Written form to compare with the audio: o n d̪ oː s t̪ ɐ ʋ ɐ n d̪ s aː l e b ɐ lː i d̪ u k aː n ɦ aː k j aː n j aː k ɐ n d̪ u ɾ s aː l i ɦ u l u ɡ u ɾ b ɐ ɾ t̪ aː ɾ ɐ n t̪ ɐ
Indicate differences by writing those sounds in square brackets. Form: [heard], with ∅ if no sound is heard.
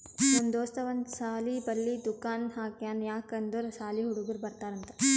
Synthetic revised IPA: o n d̪ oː s t̪ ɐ ʋ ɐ n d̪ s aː l [i] b ɐ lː i d̪ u k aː n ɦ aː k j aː n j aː k ɐ n d̪ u ɾ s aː l i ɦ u [ɽ] u ɡ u ɾ b ɐ ɾ t̪ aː ɾ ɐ n t̪ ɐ